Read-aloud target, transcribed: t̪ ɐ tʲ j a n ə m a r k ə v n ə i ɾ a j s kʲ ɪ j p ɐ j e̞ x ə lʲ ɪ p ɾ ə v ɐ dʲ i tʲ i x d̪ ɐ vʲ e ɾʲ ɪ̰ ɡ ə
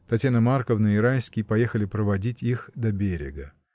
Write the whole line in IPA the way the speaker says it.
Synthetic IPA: t̪ ɐ tʲ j a n ə m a r k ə v n ə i ɾ a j s kʲ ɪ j p ɐ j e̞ x ə lʲ ɪ p ɾ ə v ɐ dʲ i tʲ i x d̪ ɐ bʲ e ɾʲ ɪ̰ ɡ ə